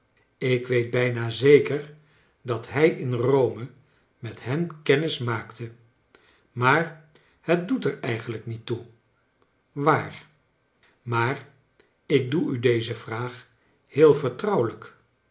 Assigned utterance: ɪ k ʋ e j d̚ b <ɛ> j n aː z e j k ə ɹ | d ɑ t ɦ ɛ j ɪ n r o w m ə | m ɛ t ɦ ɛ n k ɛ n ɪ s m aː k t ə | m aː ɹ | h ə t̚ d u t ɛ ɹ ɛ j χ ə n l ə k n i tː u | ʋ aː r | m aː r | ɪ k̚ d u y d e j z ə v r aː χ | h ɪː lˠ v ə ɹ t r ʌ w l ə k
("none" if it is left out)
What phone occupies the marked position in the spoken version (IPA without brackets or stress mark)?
ɛ